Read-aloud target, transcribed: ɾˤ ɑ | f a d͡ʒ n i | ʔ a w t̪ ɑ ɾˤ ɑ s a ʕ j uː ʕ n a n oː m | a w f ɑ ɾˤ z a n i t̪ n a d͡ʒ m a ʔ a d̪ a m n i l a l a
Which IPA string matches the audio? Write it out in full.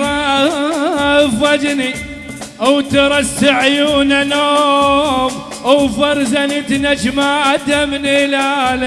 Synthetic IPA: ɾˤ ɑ | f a d͡ʒ n i | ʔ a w t̪ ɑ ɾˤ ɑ s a ʕ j uː n a n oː m | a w f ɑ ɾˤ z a n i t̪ n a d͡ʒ m a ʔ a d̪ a m n i l a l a